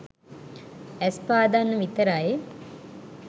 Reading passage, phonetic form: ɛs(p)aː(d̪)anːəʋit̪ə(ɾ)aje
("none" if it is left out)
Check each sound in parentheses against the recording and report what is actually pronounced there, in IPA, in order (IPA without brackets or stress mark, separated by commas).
p, d̪, ɾ